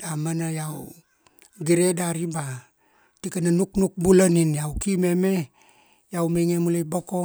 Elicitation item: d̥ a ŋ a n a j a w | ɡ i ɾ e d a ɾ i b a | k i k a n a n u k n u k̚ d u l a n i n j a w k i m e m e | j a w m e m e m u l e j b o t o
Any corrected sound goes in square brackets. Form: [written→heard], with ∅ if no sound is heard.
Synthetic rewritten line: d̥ a [ŋ→m] a n a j a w | ɡ i ɾ e d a ɾ i b a | [k→t] i k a n a n u k n u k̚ [d→b] u l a n i n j a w k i m e m e | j a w m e [m→ŋ] e m u l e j b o [t→k] o